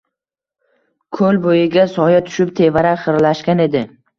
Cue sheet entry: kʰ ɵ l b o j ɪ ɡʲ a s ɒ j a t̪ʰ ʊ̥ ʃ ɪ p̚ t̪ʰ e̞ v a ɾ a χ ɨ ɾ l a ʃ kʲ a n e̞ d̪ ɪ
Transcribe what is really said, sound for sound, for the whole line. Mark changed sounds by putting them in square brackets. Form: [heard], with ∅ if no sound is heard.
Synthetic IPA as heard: kʰ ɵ l b o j ɪ ɡʲ a s ɒ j a t̪ʰ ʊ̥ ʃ ɪ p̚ t̪ʰ e̞ v a ɾ a χ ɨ ɾ l a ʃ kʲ a n e̞ d̪ ɪ